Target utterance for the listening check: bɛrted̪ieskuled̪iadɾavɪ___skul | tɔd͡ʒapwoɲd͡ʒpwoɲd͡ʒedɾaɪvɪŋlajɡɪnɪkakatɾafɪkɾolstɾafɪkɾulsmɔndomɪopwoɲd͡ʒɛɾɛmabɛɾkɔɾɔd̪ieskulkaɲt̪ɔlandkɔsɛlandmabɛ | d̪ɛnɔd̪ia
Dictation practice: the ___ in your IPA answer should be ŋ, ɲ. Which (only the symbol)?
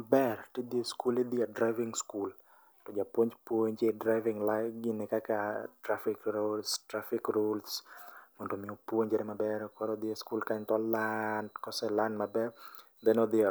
ŋ